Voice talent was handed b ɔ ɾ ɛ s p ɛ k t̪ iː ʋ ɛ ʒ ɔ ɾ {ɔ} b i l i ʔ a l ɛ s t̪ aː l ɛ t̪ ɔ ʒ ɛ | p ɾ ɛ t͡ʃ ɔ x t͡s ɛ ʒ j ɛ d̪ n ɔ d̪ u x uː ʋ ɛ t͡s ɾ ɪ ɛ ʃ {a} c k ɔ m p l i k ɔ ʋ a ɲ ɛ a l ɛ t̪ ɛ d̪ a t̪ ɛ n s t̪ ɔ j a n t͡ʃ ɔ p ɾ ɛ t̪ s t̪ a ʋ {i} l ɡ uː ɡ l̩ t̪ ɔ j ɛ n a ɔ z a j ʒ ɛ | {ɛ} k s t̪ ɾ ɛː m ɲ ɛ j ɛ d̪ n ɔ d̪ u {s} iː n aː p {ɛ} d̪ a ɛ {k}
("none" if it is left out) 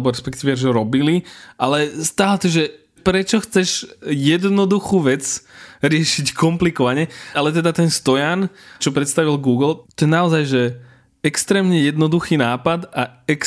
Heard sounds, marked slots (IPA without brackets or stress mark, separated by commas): ɔ, i, i, ɛ, x, a, k